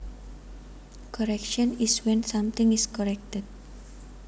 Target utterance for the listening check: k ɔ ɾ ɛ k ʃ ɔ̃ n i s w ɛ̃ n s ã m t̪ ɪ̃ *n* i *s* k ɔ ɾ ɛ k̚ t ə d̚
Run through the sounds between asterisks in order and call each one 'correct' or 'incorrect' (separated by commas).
incorrect, correct